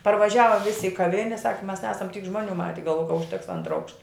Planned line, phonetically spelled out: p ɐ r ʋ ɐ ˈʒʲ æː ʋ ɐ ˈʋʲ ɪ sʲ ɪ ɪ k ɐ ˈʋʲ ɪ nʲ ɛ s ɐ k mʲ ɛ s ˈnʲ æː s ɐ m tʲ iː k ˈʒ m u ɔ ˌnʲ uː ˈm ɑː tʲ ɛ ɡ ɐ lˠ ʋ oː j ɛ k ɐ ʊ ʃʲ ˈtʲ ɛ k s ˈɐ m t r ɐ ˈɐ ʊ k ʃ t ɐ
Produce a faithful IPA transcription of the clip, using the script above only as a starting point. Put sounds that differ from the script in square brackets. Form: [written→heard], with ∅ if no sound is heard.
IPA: p ɐ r ʋ ɐ ˈʒʲ æː ʋ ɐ ˈʋʲ ɪ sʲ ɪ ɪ k ɐ ˈʋʲ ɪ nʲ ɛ s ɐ k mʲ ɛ s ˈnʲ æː s ɐ m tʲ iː k ˈʒ m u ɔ ˌnʲ uː ˈm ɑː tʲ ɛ ɡ ɐ lˠ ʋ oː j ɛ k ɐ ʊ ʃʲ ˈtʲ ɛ k s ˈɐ [m→n] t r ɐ ˈɐ ʊ k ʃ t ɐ

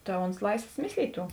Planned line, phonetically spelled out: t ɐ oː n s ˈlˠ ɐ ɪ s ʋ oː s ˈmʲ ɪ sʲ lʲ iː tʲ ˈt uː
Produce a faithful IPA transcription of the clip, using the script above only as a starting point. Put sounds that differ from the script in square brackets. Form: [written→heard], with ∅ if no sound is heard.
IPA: t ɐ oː n s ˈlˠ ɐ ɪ s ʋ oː s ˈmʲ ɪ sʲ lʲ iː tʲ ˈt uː

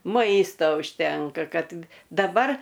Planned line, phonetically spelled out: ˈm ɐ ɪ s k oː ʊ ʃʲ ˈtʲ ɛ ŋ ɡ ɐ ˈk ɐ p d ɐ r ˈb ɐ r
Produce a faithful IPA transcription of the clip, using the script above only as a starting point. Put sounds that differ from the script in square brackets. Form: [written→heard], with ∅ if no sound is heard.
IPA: ˈm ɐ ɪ s [k→t] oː ʊ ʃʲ ˈtʲ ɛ ŋ [ɡ→k] ɐ ˈk ɐ [p→t] d ɐ [r→∅] ˈb ɐ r

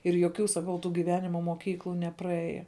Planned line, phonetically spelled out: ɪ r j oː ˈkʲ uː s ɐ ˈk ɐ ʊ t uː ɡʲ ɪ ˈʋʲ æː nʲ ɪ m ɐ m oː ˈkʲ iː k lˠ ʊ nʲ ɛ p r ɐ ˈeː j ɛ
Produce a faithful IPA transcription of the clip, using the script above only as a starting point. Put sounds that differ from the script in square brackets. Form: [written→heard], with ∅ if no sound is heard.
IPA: ɪ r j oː ˈkʲ uː s ɐ ˈk ɐ ʊ t uː ɡʲ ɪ ˈʋʲ æː nʲ ɪ m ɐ m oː ˈkʲ iː k lˠ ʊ nʲ ɛ p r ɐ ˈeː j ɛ

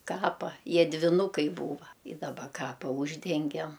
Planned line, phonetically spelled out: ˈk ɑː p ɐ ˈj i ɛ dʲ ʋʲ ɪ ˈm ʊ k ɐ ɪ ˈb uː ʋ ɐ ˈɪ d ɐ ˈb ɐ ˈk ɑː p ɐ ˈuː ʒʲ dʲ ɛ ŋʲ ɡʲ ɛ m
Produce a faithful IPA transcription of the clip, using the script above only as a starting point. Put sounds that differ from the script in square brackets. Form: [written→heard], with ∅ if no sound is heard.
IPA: ˈk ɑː p ɐ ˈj i ɛ dʲ ʋʲ ɪ [ˈm→ˈn] ʊ k ɐ ɪ ˈb uː ʋ ɐ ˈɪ d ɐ ˈb ɐ ˈk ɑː p ɐ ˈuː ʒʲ dʲ ɛ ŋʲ ɡʲ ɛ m

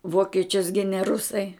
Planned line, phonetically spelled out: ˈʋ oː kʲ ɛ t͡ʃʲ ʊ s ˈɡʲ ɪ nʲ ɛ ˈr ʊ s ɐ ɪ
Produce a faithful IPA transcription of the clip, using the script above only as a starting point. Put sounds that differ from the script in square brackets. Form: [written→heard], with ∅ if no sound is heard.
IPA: ˈʋ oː kʲ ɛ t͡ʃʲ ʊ s ˈɡʲ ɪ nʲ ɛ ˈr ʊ s ɐ ɪ

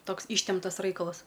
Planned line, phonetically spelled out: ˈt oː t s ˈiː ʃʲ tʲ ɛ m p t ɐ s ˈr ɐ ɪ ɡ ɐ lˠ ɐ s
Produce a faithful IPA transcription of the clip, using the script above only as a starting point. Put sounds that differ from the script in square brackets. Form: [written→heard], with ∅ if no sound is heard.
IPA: ˈt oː [t→k] s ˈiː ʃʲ tʲ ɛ m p t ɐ s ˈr ɐ ɪ [ɡ→k] ɐ lˠ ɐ s

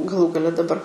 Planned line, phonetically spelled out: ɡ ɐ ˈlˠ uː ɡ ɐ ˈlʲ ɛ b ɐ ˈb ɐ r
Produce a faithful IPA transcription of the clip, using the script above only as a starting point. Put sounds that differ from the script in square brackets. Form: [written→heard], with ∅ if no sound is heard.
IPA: ɡ ɐ ˈlˠ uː ɡ ɐ ˈlʲ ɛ [b→d] ɐ ˈb ɐ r

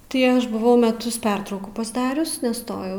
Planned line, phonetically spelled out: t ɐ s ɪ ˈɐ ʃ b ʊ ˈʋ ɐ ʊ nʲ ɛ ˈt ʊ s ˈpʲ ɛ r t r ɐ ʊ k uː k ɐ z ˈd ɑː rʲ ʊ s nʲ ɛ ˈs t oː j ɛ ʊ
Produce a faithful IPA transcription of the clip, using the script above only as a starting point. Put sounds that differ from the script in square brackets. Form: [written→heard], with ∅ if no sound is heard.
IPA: t ɐ [s→∅] ɪ ˈɐ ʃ b ʊ ˈʋ ɐ ʊ [nʲ→mʲ] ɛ ˈt ʊ s ˈpʲ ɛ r t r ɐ ʊ k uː [k→p] ɐ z ˈd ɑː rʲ ʊ s nʲ ɛ ˈs t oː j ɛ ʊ

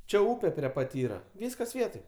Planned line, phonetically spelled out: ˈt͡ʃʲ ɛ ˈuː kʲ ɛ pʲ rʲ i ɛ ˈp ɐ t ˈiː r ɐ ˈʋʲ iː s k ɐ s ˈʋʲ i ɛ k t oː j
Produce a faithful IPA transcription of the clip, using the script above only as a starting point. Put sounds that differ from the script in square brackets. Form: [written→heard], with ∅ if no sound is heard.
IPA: ˈt͡ʃʲ ɛ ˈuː [kʲ→pʲ] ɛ pʲ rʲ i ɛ ˈp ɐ t ˈiː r ɐ ˈʋʲ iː s k ɐ s ˈʋʲ i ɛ [k→∅] t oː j

